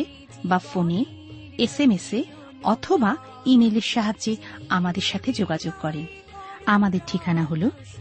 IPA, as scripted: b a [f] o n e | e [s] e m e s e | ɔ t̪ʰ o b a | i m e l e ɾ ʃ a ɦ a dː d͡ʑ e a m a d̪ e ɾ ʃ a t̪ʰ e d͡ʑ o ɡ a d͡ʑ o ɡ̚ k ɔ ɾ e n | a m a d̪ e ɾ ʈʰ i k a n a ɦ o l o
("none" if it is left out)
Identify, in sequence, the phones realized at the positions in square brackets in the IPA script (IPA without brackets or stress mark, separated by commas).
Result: f, s